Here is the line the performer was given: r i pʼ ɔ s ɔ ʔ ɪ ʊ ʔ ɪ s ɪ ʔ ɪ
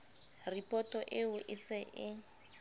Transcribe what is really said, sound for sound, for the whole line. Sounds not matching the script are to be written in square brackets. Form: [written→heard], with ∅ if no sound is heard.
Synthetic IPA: r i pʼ ɔ [s→t] ɔ ʔ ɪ ʊ ʔ ɪ s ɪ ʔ ɪ